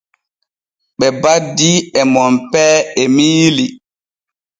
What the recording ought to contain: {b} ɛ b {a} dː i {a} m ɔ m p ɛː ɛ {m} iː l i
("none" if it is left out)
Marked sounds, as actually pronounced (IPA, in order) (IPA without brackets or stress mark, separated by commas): ɓ, a, ɛ, m